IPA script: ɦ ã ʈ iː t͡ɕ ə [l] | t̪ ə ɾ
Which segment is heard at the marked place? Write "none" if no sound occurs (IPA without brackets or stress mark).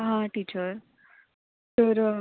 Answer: ɾ